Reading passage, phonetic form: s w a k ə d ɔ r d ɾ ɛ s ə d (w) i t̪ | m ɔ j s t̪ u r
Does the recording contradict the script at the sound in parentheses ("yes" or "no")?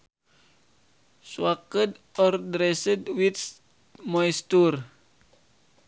no